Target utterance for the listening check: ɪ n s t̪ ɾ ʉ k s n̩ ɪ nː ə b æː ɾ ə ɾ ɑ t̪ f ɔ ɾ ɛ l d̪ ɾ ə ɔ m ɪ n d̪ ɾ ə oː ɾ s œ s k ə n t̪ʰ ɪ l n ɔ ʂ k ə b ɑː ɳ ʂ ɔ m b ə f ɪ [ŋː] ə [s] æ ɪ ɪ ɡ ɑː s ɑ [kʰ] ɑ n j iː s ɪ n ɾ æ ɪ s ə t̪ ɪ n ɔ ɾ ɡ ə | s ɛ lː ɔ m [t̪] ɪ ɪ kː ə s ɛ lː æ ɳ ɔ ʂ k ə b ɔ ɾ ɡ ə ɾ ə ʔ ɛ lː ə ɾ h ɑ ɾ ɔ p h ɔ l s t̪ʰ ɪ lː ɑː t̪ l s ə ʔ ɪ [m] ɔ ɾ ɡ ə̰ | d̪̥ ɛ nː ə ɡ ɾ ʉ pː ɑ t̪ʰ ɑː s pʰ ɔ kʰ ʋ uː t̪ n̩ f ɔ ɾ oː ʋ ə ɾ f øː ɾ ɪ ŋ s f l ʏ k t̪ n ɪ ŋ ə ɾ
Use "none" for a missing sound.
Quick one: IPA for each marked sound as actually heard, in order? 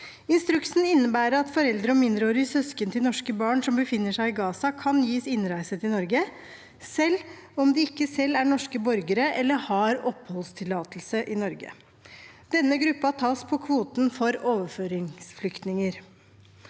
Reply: nː, ʂ, kʰ, d̪, n

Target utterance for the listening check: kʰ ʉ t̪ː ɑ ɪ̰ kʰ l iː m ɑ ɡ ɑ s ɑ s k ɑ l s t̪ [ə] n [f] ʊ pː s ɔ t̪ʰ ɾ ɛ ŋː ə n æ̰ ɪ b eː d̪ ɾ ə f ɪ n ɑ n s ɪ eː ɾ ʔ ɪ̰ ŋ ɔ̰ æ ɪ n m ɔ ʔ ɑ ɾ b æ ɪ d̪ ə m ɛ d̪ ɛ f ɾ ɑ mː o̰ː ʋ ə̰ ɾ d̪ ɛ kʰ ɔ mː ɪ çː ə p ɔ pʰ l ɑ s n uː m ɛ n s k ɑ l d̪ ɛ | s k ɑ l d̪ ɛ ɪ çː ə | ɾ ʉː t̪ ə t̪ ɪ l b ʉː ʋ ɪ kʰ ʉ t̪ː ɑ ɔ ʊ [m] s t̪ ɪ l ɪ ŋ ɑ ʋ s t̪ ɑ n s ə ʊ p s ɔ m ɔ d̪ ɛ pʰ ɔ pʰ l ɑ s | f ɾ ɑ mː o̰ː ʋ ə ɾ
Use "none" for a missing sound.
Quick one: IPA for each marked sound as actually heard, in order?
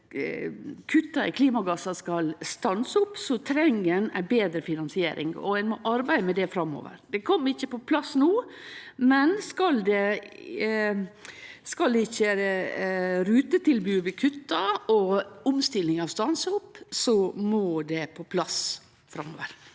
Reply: ɑ, s, m

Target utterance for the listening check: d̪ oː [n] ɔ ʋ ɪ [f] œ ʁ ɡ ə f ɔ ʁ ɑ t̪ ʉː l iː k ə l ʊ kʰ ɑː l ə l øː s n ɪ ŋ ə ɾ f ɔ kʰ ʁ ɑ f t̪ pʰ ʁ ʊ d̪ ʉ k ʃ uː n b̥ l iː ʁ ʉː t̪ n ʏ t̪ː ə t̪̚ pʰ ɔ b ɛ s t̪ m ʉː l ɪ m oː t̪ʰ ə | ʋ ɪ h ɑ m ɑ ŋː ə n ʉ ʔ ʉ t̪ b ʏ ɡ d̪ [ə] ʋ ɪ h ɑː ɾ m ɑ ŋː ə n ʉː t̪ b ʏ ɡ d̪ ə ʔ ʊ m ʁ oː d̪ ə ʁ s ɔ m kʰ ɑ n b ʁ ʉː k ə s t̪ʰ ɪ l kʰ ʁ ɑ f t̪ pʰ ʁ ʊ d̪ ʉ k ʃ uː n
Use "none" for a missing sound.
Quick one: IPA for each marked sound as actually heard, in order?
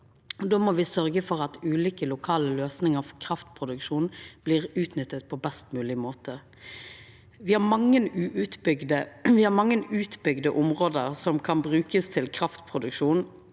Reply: m, s, ə

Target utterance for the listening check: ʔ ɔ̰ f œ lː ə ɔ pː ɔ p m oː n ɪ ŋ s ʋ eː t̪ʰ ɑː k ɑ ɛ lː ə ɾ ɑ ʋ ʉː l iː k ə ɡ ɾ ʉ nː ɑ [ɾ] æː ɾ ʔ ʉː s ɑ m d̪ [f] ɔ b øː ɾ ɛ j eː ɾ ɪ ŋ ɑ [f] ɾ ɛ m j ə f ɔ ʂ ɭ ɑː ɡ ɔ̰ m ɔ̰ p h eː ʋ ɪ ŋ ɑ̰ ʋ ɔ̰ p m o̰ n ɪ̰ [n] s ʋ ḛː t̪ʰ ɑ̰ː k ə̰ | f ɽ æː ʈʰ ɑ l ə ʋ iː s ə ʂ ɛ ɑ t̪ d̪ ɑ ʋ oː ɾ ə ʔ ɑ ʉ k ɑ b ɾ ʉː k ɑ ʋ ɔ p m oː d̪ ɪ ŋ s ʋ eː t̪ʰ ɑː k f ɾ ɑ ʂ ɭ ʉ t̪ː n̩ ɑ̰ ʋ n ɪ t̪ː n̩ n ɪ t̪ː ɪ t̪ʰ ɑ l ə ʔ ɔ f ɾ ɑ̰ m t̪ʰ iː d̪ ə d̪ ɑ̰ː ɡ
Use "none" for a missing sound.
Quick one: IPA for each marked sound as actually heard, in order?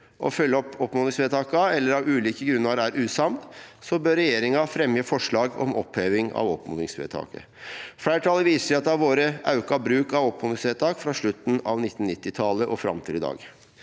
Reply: ɾ, s, f, ŋ

